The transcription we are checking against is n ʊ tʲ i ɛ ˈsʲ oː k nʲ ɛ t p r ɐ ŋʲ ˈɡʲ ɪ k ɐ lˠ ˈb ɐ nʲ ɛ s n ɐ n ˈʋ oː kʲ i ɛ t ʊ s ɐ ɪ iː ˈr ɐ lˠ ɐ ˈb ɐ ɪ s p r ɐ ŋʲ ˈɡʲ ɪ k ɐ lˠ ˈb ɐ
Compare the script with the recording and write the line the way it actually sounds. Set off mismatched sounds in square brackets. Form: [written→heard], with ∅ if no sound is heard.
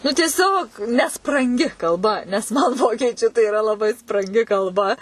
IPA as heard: n ʊ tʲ i ɛ ˈsʲ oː k nʲ ɛ [t→s] p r ɐ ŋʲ ˈɡʲ ɪ k ɐ lˠ ˈb ɐ nʲ ɛ s [n→m] ɐ n ˈʋ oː kʲ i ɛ [t→t͡ʃʲ] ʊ [s→t] ɐ ɪ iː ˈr ɐ lˠ ɐ ˈb ɐ ɪ s p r ɐ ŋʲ ˈɡʲ ɪ k ɐ lˠ ˈb ɐ